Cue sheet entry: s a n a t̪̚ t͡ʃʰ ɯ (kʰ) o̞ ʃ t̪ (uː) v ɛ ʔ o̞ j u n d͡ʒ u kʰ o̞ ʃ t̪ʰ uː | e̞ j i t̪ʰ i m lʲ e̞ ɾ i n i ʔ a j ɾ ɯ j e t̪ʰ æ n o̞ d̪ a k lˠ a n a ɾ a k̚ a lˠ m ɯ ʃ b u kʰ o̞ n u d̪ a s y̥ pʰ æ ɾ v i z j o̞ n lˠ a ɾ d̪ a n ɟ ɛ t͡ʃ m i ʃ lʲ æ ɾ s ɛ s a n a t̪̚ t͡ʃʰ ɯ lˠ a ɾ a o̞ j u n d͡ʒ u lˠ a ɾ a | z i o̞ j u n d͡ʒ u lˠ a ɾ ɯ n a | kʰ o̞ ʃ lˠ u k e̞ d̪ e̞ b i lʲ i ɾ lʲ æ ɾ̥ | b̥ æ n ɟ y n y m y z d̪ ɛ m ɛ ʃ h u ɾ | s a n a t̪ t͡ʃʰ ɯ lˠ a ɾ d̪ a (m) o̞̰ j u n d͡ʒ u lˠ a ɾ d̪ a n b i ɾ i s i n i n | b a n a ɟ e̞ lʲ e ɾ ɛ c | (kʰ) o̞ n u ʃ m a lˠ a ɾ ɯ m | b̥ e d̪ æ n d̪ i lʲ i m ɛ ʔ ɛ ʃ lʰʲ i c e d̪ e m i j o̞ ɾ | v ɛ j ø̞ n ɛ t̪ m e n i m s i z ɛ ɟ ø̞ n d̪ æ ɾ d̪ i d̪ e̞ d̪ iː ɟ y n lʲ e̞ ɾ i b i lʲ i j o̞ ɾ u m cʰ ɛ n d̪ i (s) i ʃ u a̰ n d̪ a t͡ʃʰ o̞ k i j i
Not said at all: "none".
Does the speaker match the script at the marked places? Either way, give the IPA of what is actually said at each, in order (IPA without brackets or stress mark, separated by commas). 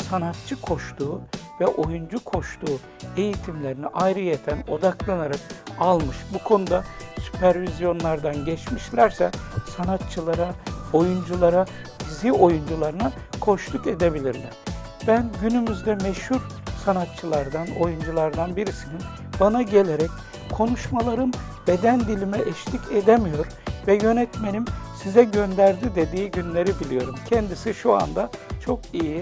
kʰ, uː, n, kʰ, s